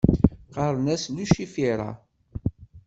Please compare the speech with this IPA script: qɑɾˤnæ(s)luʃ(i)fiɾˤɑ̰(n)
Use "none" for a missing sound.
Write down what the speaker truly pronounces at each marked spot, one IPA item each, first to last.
s, i, none

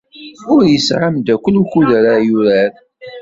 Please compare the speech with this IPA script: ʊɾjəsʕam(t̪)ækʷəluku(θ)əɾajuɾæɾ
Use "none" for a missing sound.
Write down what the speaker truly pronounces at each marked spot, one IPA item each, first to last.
d̪, ð

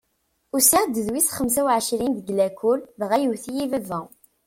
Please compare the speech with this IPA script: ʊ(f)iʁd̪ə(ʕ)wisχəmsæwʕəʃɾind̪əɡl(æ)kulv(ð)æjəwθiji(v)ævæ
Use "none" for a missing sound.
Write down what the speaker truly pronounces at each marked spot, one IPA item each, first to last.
s, ð, æ, ʁ, v

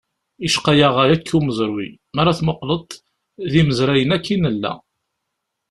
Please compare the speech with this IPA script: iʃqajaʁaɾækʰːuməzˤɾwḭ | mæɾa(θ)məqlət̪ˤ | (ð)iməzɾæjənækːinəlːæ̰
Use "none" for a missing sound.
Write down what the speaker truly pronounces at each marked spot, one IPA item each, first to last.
θ, ð

